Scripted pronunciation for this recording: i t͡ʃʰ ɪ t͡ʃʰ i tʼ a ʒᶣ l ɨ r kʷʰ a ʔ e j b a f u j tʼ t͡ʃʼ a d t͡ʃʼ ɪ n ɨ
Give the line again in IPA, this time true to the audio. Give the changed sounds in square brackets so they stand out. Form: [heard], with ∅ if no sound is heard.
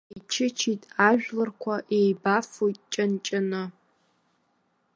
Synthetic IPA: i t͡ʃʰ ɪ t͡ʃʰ i tʼ a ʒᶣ l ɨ r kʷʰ a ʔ e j b a f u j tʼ t͡ʃʼ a [n] t͡ʃʼ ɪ n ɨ